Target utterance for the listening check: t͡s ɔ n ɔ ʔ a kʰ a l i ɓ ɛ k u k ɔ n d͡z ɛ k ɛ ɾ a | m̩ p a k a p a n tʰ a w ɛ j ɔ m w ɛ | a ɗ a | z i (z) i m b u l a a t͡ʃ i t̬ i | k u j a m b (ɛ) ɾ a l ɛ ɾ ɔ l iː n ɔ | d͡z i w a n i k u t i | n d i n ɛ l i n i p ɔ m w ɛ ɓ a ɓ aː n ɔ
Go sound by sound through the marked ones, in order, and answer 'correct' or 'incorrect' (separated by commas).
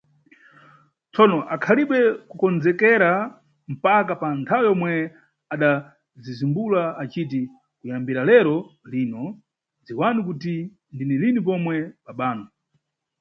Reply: correct, incorrect